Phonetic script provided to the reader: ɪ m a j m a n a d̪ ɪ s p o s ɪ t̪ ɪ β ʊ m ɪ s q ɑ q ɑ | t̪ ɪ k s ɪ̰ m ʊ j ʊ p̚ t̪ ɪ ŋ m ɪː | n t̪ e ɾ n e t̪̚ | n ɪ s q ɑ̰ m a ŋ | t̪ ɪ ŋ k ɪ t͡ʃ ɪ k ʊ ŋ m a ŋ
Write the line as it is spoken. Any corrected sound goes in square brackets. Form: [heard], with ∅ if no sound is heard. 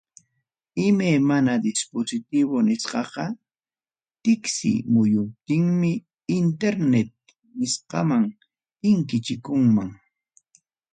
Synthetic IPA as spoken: ɪ m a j m a n a d̪ ɪ s p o s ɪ t̪ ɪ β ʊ [n] ɪ s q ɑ q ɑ | t̪ ɪ k s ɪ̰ m ʊ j ʊ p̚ t̪ ɪ ŋ m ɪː | n t̪ e ɾ n e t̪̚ | n ɪ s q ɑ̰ m a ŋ | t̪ ɪ ŋ k ɪ t͡ʃ ɪ k ʊ ŋ m a ŋ